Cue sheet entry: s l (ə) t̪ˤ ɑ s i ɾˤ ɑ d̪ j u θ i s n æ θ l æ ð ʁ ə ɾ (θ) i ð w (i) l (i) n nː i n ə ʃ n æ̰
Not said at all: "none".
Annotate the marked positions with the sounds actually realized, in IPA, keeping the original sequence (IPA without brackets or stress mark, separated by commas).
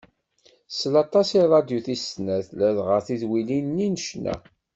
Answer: ɑ, θ, i, i